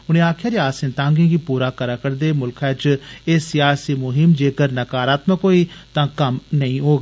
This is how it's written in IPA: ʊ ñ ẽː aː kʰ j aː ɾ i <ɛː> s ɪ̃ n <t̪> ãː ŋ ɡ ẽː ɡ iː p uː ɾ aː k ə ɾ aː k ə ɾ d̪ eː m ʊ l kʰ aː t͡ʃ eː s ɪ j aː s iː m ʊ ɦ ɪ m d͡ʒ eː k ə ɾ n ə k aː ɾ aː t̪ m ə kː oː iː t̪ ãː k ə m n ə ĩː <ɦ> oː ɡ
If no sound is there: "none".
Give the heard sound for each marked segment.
aː, t̪, ɦ

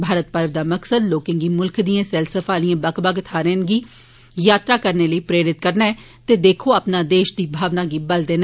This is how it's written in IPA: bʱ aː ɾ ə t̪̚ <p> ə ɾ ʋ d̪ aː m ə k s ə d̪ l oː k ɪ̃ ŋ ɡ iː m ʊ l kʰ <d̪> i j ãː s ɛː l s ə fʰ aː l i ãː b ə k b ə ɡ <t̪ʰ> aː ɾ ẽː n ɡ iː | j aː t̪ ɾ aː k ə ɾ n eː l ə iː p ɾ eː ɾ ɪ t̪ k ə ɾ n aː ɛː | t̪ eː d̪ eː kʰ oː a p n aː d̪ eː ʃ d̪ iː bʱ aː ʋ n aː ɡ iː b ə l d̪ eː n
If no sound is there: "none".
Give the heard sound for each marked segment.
p, d̪, t̪ʰ

